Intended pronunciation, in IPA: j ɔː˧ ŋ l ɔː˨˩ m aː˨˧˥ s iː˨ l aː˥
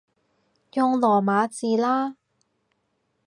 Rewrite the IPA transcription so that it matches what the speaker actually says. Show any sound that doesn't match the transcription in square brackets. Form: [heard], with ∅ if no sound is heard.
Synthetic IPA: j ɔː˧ ŋ l ɔː˨˩ m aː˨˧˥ [t͡s] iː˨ l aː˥